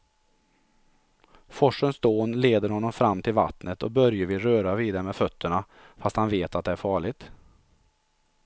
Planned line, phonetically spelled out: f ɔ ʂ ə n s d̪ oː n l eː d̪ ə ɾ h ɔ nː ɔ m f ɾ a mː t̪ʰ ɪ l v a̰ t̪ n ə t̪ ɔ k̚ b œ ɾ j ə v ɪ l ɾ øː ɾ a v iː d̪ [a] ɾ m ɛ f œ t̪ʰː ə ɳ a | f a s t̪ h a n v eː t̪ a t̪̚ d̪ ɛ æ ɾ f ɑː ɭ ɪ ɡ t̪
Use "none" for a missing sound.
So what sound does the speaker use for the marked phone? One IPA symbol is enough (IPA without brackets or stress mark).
a